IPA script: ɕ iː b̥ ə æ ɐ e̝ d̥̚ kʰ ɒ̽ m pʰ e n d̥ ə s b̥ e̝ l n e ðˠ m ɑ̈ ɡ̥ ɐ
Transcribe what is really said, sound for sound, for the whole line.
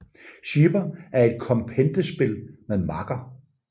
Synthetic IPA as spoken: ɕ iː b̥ ɐ æ ɐ e̝ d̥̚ kʰ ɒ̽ m pʰ e n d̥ ə s b̥ e̝ l m e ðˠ m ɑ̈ ɡ̥ ɐ